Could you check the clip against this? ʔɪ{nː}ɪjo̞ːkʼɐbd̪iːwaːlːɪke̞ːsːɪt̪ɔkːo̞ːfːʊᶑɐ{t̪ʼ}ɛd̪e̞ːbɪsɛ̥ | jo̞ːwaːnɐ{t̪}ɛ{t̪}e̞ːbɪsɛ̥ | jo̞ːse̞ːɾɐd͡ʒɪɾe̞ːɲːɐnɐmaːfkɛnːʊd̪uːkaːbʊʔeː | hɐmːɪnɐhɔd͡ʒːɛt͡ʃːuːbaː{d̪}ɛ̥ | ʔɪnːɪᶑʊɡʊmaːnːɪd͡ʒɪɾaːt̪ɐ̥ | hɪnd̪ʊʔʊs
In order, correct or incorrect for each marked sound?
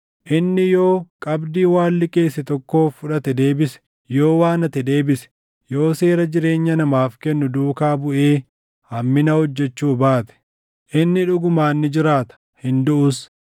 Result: correct, incorrect, correct, incorrect, incorrect

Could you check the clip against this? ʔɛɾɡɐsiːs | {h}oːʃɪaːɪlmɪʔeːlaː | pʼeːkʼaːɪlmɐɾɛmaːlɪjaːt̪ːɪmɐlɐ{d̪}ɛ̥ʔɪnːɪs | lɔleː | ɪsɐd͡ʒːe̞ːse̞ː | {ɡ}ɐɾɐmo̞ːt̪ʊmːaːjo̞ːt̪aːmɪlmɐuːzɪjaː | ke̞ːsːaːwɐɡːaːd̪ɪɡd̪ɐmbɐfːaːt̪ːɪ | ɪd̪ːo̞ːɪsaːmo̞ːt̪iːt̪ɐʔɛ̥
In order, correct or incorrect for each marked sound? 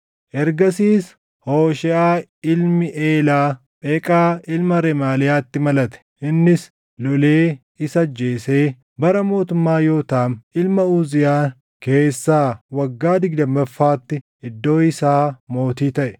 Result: correct, incorrect, incorrect

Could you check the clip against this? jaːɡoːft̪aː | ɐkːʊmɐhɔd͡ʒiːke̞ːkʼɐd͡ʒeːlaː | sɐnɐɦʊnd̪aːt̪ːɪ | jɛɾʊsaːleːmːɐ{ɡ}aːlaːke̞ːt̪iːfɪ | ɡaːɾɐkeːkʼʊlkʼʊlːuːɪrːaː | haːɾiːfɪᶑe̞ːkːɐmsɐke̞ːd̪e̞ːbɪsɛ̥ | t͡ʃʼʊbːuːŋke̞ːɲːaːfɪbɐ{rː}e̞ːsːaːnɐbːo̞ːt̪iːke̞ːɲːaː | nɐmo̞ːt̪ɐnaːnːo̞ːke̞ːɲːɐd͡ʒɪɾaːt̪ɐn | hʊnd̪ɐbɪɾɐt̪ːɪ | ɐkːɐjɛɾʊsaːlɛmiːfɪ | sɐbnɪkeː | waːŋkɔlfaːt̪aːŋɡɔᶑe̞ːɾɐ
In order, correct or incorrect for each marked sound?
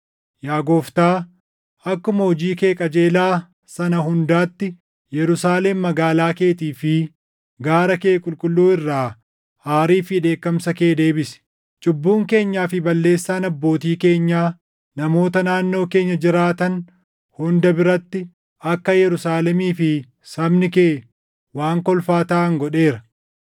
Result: correct, incorrect

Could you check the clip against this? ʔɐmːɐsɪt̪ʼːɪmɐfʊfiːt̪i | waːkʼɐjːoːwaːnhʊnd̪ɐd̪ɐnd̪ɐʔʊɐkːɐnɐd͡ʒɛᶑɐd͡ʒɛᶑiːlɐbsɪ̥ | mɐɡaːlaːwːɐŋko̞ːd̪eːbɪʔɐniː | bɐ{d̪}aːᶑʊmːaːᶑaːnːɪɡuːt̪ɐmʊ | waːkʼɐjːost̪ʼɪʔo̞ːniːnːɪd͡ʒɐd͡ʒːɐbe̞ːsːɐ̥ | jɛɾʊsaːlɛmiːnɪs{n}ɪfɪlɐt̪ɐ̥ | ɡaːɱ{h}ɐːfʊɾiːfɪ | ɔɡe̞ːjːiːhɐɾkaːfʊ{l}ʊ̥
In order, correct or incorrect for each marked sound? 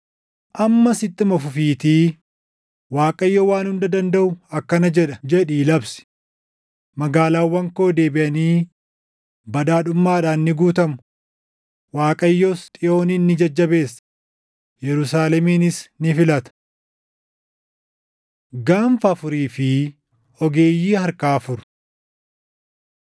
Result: correct, correct, incorrect, incorrect

